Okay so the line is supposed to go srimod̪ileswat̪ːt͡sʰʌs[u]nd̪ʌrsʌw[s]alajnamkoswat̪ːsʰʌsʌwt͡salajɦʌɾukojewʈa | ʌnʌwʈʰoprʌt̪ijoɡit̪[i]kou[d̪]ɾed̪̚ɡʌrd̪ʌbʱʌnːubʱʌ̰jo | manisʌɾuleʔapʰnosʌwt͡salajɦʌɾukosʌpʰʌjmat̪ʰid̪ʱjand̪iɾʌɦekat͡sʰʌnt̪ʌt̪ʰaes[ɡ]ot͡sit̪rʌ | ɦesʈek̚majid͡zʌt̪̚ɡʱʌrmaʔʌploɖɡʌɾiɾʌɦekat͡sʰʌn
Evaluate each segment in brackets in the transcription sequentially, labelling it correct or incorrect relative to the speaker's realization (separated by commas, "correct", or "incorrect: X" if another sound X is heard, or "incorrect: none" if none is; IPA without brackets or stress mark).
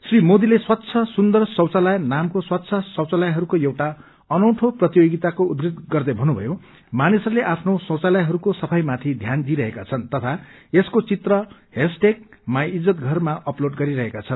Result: correct, incorrect: t͡s, incorrect: a, correct, incorrect: k